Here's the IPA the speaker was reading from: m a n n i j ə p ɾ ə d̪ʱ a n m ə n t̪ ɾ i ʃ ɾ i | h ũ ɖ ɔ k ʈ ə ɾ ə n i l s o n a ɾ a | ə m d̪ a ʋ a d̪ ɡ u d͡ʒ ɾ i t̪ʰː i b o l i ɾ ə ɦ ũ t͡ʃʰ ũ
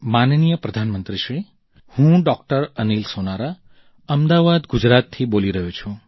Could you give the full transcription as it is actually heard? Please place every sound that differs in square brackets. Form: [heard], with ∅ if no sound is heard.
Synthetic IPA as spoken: m a n n i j ə p ɾ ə d̪ʱ a n m ə n t̪ ɾ i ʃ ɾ i | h ũ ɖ ɔ k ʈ ə ɾ ə n i l s o n a ɾ a | ə m d̪ a ʋ a d̪ ɡ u d͡ʒ ɾ [a] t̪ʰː i b o l i ɾ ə ɦ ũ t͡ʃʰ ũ